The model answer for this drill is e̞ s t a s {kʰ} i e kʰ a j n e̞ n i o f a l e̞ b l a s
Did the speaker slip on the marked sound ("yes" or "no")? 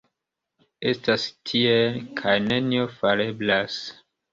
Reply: yes